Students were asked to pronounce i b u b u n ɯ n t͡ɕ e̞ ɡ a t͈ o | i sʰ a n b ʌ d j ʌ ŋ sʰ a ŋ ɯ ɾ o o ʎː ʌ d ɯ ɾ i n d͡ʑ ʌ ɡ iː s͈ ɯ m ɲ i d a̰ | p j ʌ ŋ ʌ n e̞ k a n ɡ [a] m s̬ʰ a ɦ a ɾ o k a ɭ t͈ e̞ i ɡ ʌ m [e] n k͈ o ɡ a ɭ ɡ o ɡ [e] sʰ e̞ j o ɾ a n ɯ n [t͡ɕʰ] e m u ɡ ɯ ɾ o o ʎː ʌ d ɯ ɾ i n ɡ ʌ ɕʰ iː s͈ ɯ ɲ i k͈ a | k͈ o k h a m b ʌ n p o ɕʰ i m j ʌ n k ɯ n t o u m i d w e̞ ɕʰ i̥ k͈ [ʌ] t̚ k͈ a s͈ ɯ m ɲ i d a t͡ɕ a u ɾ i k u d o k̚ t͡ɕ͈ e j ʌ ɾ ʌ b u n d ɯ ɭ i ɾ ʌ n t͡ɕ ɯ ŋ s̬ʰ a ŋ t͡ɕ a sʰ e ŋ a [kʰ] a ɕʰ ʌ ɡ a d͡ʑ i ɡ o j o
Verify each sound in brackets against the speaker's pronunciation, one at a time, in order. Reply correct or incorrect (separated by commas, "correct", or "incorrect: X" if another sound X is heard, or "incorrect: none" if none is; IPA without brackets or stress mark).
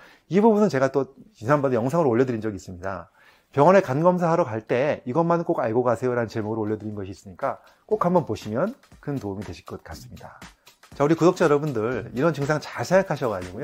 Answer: incorrect: ʌ, incorrect: a, incorrect: a, incorrect: t͡ɕ, correct, correct